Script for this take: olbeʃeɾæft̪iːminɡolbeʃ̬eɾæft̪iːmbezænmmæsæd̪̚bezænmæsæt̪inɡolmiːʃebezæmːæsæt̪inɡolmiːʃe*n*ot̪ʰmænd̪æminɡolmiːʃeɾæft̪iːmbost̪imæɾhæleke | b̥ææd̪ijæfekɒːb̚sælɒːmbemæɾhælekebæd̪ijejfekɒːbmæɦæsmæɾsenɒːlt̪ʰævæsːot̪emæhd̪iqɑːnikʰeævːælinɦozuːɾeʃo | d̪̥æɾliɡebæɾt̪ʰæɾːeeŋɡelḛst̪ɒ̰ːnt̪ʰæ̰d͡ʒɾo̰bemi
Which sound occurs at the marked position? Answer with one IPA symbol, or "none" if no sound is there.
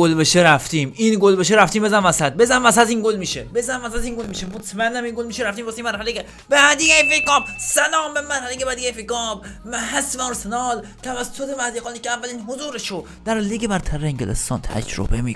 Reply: m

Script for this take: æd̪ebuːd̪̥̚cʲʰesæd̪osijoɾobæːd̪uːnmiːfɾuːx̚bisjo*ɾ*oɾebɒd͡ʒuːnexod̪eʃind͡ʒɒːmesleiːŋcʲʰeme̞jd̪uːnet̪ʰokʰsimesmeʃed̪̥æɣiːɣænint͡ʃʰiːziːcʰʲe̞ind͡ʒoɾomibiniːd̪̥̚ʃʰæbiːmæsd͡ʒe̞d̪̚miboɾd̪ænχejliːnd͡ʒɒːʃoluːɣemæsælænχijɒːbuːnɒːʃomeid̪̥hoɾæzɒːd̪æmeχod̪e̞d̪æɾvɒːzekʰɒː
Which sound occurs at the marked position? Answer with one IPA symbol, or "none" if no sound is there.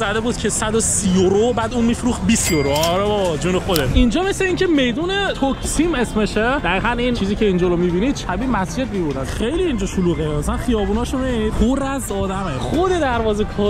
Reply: ɾ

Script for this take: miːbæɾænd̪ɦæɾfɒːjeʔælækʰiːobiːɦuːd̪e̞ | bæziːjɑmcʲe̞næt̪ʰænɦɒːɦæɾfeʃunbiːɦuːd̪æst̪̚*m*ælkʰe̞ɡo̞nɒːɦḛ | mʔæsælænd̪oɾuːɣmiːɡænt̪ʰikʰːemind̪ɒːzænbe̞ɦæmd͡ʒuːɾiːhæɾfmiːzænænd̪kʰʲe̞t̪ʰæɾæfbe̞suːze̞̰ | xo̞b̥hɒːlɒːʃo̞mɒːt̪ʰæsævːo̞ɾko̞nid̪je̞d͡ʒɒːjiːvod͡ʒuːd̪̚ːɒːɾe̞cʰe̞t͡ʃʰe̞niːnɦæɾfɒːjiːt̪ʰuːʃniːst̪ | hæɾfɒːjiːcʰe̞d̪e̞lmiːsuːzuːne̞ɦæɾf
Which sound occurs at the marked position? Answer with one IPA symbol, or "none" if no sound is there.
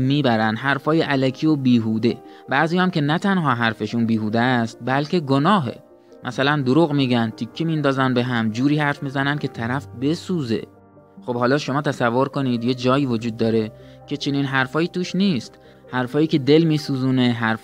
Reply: b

